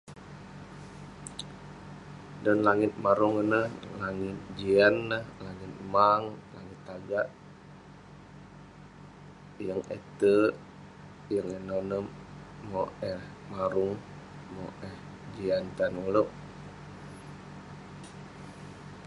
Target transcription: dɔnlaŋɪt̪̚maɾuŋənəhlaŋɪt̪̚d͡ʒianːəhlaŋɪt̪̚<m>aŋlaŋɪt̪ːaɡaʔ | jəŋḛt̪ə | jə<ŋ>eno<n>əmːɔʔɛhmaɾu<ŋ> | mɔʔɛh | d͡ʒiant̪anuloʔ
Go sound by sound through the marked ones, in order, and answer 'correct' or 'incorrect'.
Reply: correct, correct, correct, correct

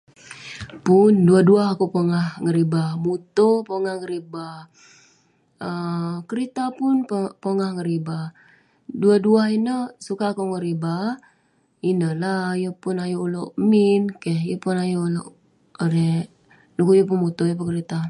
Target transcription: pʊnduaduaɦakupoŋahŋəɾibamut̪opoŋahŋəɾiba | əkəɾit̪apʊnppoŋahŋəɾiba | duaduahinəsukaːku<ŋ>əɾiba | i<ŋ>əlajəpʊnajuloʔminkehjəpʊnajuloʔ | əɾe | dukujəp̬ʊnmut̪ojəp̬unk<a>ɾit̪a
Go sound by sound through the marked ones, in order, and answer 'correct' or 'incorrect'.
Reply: correct, incorrect: n, incorrect: ə

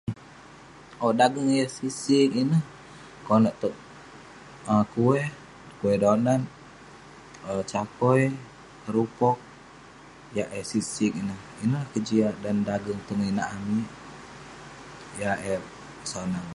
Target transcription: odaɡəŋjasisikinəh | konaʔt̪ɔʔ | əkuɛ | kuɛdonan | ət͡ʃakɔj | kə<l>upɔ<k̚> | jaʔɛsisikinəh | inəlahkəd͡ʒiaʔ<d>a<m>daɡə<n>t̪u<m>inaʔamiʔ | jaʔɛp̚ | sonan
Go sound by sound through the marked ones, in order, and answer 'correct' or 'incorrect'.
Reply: incorrect: ɾ, correct, correct, incorrect: n, incorrect: ŋ, incorrect: ŋ

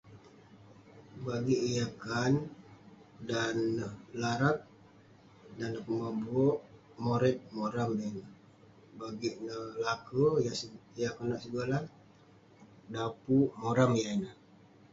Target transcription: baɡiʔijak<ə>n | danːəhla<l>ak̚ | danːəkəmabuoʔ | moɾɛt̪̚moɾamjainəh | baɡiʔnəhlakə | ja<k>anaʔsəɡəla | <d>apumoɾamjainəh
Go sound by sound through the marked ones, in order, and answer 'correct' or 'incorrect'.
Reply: incorrect: a, incorrect: ɾ, correct, correct

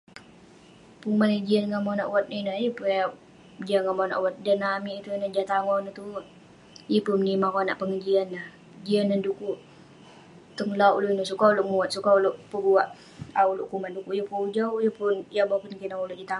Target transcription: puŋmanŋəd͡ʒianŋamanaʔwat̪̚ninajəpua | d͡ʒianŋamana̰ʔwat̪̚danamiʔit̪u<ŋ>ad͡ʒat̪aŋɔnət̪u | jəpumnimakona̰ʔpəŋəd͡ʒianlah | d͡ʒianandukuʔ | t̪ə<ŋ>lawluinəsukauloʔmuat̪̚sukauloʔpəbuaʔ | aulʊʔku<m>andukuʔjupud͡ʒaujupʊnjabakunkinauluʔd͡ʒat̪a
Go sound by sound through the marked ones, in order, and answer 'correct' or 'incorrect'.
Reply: incorrect: n, correct, correct

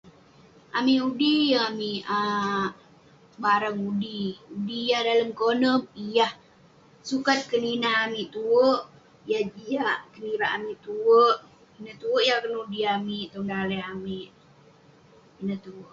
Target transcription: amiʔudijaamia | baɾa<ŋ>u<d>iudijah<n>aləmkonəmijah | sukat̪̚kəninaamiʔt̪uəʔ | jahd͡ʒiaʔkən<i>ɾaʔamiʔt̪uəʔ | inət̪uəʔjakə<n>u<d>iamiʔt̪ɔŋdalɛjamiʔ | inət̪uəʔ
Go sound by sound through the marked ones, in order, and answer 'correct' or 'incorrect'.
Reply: correct, correct, incorrect: d, correct, correct, correct

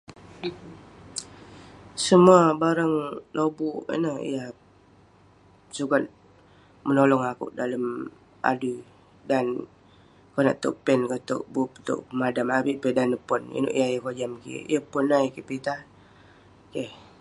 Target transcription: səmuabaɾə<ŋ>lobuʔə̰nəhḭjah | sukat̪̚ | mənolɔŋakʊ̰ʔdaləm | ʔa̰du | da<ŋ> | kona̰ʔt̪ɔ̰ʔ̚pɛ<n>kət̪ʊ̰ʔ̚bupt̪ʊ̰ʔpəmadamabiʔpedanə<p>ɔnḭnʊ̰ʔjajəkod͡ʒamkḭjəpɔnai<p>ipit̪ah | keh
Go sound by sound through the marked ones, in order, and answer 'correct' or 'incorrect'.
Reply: correct, incorrect: n, correct, correct, incorrect: k

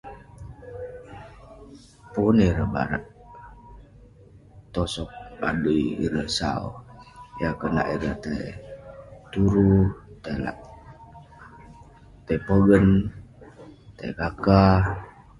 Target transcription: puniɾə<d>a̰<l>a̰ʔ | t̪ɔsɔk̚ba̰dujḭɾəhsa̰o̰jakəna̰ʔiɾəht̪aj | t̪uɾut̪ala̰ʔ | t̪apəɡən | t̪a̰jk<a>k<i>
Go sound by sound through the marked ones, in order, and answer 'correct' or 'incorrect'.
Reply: incorrect: b, incorrect: ɾ, correct, incorrect: a

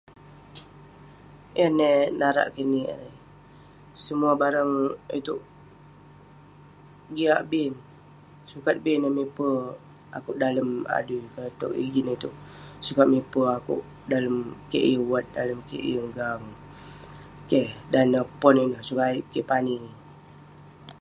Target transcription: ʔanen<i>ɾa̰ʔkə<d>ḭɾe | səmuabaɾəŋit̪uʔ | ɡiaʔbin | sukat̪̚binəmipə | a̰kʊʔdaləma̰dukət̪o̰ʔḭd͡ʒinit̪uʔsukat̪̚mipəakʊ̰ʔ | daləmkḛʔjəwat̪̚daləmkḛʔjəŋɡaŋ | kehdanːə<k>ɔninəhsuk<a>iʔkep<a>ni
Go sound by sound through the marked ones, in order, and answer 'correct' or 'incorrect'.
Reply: incorrect: a, incorrect: n, incorrect: p, correct, correct

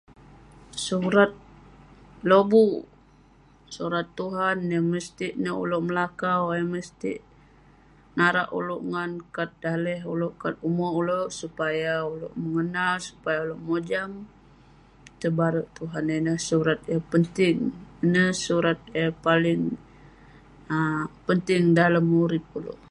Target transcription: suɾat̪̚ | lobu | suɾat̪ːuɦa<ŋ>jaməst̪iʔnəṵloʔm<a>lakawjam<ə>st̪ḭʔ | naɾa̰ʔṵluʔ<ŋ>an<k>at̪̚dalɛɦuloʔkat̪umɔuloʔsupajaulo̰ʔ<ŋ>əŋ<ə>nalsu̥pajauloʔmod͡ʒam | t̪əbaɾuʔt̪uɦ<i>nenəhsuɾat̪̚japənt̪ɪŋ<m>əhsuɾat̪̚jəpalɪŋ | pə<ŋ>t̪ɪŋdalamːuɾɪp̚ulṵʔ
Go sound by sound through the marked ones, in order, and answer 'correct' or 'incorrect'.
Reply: incorrect: n, incorrect: ə, correct, correct, correct, incorrect: m, correct, incorrect: a, incorrect: n, incorrect: n

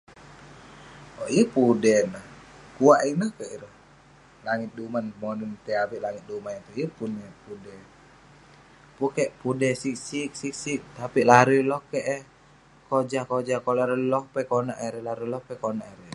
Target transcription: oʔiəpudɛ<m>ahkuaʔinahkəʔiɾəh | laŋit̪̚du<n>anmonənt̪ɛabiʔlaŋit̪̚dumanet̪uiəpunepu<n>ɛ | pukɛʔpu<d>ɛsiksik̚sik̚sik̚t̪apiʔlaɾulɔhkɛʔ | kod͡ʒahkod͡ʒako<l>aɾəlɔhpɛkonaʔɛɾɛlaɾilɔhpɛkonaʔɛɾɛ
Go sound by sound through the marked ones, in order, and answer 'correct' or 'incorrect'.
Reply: incorrect: n, incorrect: m, incorrect: d, correct, correct

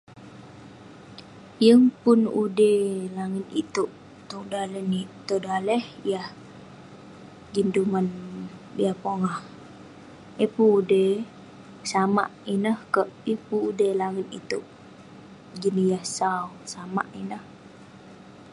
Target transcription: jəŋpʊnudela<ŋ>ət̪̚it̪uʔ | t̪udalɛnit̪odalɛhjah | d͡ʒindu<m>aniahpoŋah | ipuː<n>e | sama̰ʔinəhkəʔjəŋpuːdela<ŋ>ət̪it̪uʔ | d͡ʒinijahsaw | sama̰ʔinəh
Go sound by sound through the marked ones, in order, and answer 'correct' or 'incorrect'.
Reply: correct, correct, incorrect: d, correct

